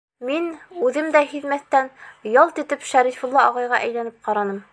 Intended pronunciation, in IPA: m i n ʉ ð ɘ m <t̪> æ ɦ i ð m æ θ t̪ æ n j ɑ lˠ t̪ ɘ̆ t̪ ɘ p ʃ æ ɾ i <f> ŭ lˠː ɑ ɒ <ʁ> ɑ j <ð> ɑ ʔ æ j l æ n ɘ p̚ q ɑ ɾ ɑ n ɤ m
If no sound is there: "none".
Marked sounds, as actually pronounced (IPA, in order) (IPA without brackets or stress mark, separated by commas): d̪, f, ʁ, ʁ